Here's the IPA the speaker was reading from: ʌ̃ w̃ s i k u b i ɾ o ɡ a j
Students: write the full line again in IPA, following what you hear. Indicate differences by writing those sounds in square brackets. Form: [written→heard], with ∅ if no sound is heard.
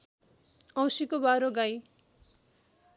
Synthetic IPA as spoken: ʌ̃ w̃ s i k [u→o] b [i→a] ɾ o ɡ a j